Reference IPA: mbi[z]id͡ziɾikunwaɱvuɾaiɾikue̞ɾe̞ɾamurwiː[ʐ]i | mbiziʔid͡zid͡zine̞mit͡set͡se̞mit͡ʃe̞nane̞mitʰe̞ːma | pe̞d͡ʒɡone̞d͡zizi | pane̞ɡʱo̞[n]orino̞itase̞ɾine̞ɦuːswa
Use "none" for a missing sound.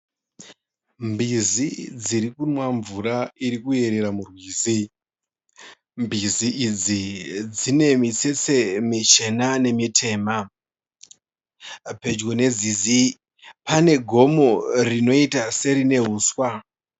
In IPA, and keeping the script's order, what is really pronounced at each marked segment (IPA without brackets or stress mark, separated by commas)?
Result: z, z, m